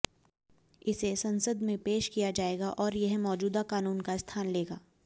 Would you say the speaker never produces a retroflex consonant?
yes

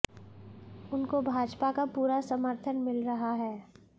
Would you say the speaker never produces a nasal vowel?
yes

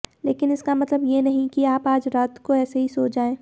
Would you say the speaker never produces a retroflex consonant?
yes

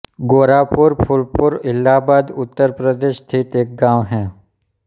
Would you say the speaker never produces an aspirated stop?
no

